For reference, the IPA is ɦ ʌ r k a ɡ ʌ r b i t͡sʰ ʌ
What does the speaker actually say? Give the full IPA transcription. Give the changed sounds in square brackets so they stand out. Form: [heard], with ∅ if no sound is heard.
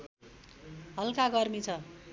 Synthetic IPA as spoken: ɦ ʌ [l] k a ɡ ʌ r [m] i t͡sʰ ʌ